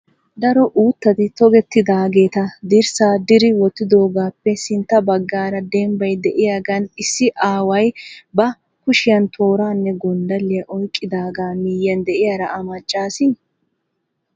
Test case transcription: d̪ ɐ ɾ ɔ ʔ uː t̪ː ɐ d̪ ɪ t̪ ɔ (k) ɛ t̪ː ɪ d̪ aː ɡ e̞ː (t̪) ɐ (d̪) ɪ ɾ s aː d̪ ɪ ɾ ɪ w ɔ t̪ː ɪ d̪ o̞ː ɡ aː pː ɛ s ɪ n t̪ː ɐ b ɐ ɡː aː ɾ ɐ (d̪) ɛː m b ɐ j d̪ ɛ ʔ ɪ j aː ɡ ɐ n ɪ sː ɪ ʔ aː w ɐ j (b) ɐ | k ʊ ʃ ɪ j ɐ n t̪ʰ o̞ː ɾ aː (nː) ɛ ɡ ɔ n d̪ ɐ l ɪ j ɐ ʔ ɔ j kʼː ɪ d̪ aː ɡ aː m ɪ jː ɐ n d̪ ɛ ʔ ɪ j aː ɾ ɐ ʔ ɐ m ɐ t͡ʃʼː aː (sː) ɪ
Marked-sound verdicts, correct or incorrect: incorrect: ɡ, correct, correct, correct, correct, correct, incorrect: s

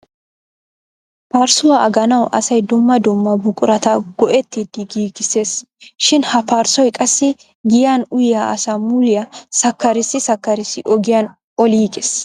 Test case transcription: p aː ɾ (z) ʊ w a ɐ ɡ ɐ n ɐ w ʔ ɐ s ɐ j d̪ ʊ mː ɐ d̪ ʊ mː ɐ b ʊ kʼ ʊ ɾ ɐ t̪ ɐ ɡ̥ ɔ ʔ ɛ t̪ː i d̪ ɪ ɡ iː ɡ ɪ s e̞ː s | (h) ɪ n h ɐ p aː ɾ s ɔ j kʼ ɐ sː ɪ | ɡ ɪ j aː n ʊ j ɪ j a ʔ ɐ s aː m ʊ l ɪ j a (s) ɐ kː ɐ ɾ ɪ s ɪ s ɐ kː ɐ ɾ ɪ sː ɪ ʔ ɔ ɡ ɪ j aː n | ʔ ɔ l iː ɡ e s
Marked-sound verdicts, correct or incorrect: incorrect: s, incorrect: ʃ, correct

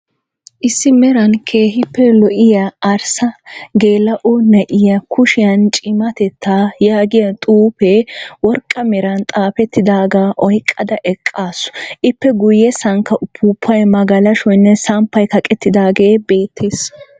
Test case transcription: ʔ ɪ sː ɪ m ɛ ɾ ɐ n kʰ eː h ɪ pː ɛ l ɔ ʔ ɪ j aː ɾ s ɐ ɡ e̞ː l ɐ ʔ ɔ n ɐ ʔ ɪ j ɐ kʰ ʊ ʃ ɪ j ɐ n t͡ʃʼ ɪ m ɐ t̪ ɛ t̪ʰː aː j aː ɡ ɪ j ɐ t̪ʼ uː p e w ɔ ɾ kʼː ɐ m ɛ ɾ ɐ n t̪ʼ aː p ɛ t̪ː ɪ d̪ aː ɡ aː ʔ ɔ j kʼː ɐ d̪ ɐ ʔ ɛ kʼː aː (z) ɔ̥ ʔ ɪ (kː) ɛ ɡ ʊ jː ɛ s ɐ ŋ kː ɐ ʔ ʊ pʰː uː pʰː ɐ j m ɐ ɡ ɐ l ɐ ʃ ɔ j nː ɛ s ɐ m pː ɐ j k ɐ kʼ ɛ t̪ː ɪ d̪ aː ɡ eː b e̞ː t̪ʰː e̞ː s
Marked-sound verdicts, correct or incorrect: incorrect: s, incorrect: pː

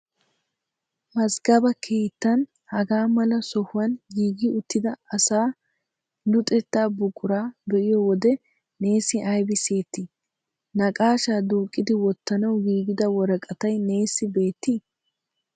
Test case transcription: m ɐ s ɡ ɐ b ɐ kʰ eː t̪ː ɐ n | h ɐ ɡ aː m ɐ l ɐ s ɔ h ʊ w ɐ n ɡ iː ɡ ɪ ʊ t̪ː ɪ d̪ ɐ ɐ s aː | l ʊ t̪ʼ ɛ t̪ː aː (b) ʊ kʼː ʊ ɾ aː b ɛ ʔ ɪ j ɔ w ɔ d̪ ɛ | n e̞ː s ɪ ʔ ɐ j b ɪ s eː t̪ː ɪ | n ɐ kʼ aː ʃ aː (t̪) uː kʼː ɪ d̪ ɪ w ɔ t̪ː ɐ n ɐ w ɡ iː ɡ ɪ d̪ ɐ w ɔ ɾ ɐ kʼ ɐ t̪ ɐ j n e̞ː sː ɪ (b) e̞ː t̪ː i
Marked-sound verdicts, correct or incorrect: correct, incorrect: d̪, correct

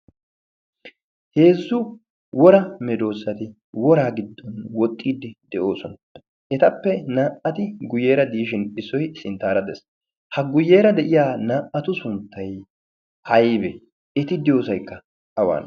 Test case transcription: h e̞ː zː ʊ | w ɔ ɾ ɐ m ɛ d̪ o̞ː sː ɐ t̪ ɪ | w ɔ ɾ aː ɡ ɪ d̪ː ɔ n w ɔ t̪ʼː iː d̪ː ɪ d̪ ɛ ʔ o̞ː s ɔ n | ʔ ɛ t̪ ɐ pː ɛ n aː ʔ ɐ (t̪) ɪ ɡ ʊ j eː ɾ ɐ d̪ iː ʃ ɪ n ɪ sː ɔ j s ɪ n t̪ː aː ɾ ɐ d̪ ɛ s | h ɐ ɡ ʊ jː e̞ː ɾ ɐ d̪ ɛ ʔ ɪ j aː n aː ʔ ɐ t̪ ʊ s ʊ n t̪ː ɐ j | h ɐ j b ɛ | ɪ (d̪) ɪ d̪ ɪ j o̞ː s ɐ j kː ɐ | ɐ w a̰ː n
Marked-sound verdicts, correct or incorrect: correct, incorrect: t̪

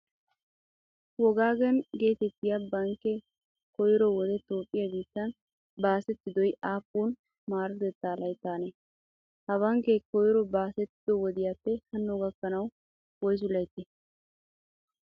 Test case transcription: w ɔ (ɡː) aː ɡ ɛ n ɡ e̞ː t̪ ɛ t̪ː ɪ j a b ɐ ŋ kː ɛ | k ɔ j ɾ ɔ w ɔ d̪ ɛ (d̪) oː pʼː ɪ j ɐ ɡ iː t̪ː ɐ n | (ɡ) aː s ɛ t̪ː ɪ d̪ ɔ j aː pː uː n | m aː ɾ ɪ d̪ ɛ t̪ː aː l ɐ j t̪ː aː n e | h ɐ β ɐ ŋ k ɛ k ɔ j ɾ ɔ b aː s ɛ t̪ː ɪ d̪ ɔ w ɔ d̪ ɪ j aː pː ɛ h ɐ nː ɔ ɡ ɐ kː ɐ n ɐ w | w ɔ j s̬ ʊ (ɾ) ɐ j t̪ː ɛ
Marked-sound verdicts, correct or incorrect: incorrect: ɡ, incorrect: t̪, incorrect: b, incorrect: l

